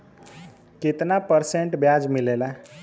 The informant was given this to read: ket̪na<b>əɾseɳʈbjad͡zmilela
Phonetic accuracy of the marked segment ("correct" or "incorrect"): incorrect